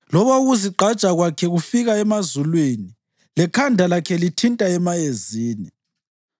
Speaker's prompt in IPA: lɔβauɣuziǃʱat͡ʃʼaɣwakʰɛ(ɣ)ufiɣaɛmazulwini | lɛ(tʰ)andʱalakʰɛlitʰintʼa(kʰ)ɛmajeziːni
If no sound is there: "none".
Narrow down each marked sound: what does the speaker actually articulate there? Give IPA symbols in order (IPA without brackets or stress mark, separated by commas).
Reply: ɣ, kʰ, none